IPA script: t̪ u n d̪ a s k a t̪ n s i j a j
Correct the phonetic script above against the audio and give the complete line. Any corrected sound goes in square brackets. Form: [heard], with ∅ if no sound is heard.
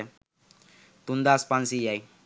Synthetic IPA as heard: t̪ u n d̪ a s [p] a [∅] n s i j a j

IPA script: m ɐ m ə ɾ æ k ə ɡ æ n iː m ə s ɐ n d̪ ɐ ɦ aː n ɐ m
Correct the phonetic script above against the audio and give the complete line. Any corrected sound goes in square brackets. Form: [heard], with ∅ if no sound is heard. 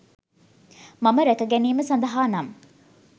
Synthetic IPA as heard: m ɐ m ə ɾ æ k ə ɡ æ n iː m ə s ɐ n d̪ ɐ ɦ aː n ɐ m

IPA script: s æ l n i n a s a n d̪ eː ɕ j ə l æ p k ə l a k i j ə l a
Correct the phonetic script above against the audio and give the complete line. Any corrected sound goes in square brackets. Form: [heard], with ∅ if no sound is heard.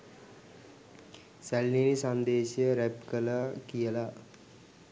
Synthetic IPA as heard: s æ l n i n [i] s a n d̪ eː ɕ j ə [ɾ] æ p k ə l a k i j ə l a

